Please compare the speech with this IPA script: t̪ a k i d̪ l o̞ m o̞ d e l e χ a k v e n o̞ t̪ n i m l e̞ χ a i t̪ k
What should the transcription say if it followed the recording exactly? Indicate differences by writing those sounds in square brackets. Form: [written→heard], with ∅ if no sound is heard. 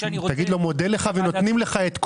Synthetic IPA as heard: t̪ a [k→ɡ] i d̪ l o̞ m o̞ d e l e χ a [k→∅] v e n o̞ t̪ n i m l e̞ χ a [i→e] t̪ k